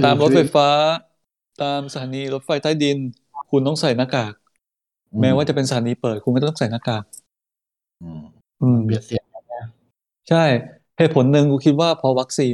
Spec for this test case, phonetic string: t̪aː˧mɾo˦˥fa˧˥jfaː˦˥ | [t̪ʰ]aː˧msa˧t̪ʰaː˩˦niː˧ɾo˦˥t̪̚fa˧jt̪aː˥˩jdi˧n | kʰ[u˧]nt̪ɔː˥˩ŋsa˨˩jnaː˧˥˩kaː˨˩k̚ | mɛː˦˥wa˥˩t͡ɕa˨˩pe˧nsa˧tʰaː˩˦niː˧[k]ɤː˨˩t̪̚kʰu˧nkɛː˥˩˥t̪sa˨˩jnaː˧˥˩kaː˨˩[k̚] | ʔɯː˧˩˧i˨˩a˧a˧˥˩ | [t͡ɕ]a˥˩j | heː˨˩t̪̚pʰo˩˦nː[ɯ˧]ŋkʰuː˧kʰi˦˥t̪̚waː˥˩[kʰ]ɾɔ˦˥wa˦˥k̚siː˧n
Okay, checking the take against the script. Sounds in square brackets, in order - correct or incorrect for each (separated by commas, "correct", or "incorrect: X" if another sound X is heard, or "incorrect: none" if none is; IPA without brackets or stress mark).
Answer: incorrect: t̪, correct, incorrect: p, correct, incorrect: t͡ɕʰ, correct, incorrect: pʰ